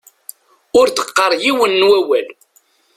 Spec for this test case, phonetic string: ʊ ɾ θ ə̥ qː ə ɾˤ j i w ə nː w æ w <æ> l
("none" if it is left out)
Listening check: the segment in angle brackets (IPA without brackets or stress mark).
æ